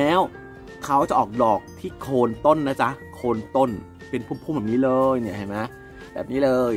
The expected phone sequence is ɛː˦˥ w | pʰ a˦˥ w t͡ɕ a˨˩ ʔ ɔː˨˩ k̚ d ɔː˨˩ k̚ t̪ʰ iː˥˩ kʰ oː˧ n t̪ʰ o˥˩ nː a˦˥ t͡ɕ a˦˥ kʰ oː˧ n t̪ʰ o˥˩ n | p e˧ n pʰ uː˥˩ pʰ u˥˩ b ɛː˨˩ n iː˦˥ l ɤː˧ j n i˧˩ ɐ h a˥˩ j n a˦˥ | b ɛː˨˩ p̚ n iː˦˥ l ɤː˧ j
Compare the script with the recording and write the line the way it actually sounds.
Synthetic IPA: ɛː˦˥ w | kʰ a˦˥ w t͡ɕ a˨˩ ʔ ɔː˨˩ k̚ d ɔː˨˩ k̚ t̪ʰ iː˥˩ kʰ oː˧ n t̪ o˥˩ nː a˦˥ t͡ɕ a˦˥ kʰ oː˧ n t̪ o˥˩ n | p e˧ n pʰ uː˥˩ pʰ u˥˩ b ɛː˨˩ n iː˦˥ l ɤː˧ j n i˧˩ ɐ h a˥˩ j m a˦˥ | b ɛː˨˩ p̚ n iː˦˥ l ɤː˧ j

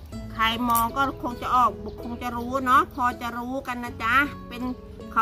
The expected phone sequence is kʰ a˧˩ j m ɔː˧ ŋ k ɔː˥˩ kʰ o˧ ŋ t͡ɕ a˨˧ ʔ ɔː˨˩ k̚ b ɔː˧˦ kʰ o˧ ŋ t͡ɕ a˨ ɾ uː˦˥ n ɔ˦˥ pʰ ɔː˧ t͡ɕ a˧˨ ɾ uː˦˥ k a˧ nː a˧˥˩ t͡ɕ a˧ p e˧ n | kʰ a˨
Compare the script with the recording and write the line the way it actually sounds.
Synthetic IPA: kʰ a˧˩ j m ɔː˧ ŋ k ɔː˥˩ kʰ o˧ ŋ t͡ɕ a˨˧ ʔ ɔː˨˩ k̚ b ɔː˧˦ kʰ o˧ ŋ t͡ɕ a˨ ɾ uː˦˥ n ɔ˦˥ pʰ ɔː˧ t͡ɕ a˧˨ ɾ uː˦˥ k a˧ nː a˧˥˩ t͡ɕ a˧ p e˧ n | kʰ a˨

